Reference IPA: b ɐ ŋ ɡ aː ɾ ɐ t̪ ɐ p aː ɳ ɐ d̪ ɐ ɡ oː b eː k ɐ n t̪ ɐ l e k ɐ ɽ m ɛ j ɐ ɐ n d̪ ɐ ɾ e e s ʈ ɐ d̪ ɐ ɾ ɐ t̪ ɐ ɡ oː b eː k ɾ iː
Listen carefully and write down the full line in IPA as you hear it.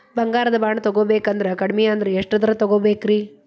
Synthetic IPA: b ɐ ŋ ɡ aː ɾ ɐ d̪ ɐ b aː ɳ ɐ t̪ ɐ ɡ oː b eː k ɐ n d̪ ɐ ɾ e k ɐ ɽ m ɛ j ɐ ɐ n d̪ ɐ ɾ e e ʂ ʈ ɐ d̪ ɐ ɾ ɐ t̪ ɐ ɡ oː b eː k ɾ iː

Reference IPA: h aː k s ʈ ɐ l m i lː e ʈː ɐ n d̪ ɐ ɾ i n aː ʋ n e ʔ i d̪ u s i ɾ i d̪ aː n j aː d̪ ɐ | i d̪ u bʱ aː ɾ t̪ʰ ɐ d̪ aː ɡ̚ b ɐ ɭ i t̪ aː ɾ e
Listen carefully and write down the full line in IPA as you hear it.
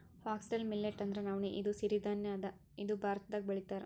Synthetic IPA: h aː k s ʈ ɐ l m i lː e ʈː ɐ n d̪ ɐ ɾ e n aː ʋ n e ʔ i d̪ u s i ɾ i d̪ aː n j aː d̪ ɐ | i d̪ u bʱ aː ɾ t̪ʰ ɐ d̪ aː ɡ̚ b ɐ ɭ i t̪ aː ɾ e

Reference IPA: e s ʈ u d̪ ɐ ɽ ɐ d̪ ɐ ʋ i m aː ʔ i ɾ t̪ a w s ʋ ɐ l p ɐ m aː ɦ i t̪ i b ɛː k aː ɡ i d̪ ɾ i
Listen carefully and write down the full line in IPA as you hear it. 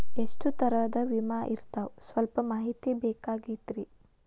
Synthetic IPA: e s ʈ u t̪ ɐ ɾ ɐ d̪ ɐ ʋ i m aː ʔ i ɾ t̪ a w s ʋ ɐ l p ɐ m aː ɦ i t̪ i b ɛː k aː ɡ i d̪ ɾ i

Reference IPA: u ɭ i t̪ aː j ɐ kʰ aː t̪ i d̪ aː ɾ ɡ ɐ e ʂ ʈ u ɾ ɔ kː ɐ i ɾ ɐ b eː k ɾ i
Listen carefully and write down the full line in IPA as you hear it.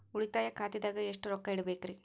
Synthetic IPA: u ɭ i t̪ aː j ɐ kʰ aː t̪ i d̪ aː ɡ ɐ e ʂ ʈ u ɾ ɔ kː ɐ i ɽ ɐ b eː k ɾ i

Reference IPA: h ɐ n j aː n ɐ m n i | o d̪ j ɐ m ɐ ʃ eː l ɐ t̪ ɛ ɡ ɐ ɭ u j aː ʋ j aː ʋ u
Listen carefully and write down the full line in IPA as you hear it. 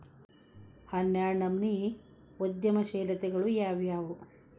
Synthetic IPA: h ɐ n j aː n ɐ m n i | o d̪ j ɐ m ɐ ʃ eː l ɐ t̪ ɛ ɡ ɐ ɭ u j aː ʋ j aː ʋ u

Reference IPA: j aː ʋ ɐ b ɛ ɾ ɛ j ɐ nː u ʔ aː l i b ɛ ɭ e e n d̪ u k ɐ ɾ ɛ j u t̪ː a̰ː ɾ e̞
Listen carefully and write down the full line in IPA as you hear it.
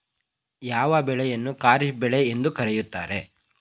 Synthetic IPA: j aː ʋ ɐ b ɛ ɭ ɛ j ɐ nː u k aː ɾ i b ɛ ɭ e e n d̪ u k ɐ ɾ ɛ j u t̪ː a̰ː ɾ e̞

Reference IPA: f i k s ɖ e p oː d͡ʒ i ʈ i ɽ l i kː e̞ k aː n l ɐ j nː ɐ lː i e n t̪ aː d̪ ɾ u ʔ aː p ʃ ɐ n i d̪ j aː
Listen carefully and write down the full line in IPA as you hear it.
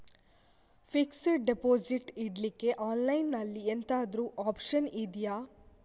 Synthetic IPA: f i k s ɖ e p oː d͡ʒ i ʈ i ɽ l i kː e̞ ʔ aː n l ɐ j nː ɐ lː i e n t̪ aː d̪ ɾ u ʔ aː p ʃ ɐ n i d̪ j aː

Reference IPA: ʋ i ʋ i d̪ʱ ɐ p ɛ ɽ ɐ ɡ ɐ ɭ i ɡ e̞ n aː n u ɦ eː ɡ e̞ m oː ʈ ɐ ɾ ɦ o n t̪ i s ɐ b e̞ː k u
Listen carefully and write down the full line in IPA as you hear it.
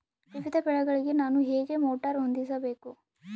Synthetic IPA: ʋ i ʋ i d̪ʱ ɐ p ɛ ɭ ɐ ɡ ɐ ɭ i ɡ e̞ n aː n u ɦ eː ɡ e̞ m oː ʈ ɐ ɾ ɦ o n d̪ i s ɐ b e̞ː k u

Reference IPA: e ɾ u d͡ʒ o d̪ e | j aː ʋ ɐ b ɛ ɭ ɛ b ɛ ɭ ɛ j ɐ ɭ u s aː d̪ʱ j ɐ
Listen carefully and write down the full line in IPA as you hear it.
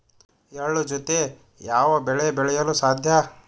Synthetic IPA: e ɭ u d͡ʒ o t̪ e | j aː ʋ ɐ b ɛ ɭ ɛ b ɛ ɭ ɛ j ɐ l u s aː d̪ʱ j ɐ

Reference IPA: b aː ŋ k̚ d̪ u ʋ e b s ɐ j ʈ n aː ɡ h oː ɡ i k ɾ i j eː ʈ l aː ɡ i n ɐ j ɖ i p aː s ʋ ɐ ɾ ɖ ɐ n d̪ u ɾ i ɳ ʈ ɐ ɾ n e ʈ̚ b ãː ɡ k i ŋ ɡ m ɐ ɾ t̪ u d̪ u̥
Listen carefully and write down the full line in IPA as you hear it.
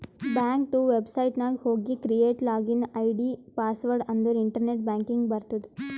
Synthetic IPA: b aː ŋ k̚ t̪ u ʋ e b s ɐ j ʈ n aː ɡ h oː ɡ i k ɾ i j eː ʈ l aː ɡ i n ɐ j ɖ i p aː s ʋ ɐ ɾ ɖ ɐ n d̪ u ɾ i ɳ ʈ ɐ ɾ n e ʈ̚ b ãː ŋ k i ŋ ɡ b ɐ ɾ t̪ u d̪ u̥

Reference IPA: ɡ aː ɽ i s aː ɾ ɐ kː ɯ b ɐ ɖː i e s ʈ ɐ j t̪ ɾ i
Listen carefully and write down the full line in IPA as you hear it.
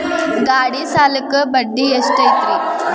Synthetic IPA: ɡ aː ɽ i s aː l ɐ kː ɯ b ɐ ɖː i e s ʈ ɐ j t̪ ɾ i

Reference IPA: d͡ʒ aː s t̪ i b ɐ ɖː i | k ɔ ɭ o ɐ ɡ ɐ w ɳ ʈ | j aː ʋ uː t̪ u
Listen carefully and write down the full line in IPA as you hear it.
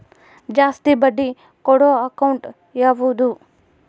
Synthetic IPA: d͡ʒ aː s t̪ i b ɐ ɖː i | k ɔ ɽ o ɐ k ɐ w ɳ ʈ | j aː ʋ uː d̪ u

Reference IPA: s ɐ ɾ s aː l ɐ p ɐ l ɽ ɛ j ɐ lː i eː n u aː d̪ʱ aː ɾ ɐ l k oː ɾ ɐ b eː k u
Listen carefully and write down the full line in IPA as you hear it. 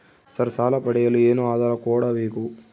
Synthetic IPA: s ɐ ɾ s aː l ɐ p ɐ ɽ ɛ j ɐ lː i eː n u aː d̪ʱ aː ɾ ɐ k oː ɽ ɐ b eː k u

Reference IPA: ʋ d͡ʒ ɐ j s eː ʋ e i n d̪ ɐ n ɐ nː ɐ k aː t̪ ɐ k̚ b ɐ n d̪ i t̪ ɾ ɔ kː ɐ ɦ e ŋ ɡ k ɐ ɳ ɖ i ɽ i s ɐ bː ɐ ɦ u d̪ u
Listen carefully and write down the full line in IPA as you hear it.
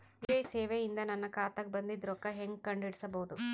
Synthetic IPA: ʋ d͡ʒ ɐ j s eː ʋ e i n d̪ ɐ n ɐ nː ɐ k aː t̪ ɐ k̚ b ɐ n d̪ i d̪ ɾ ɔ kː ɐ ɦ e ŋ ɡ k ɐ ɳ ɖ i ɽ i s ɐ b ɐ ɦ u d̪ u

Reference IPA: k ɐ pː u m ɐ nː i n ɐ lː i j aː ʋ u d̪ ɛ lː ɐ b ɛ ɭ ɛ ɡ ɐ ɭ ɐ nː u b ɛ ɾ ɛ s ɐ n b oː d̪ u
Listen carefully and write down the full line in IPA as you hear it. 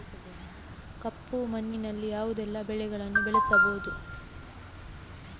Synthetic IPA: k ɐ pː u m ɐ nː i n ɐ lː i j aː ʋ u d̪ ɛ lː ɐ b ɛ ɭ ɛ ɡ ɐ ɭ ɐ nː u b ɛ ɭ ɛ s ɐ b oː d̪ u

